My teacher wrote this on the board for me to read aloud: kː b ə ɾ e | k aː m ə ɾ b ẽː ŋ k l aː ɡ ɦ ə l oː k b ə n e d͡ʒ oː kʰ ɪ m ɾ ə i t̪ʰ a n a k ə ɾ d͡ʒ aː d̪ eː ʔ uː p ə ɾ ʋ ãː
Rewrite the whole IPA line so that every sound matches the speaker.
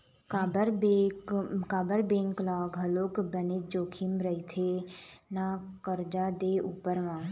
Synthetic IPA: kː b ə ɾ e | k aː b ə ɾ b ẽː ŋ k l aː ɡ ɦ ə l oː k b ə n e d͡ʒ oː kʰ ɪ m ɾ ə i t̪ʰ e n a k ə ɾ d͡ʒ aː d̪ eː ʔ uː p ə ɾ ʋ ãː